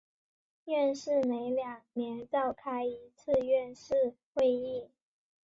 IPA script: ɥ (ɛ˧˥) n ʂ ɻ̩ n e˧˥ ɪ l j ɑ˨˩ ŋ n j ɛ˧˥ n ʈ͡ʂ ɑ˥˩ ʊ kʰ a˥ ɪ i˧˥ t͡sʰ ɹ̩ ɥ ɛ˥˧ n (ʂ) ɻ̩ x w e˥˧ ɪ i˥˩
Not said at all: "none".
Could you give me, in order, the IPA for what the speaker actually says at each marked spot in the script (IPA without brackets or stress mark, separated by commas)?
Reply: ɛ˥˧, ʂ